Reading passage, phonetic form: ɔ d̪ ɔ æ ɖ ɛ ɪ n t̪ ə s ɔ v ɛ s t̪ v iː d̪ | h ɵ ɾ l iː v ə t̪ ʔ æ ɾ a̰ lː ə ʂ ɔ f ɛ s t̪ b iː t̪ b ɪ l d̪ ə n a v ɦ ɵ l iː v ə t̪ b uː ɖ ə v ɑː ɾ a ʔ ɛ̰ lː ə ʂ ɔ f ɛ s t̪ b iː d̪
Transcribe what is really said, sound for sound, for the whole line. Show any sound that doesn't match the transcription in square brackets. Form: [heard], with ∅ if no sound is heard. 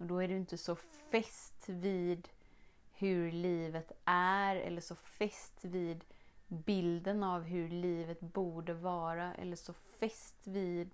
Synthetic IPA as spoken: ɔ d̪ ɔ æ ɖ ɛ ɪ n t̪ ə s ɔ [f] ɛ s t̪ v iː d̪ | h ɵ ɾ l iː v ə t̪ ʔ æ ɾ [ɛ̰] lː ə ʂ ɔ f ɛ s t̪ [v] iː [d̪] b ɪ l d̪ ə n a v ɦ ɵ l iː v ə t̪ b uː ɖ ə v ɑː ɾ a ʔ ɛ̰ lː ə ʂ ɔ f ɛ s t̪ [v] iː d̪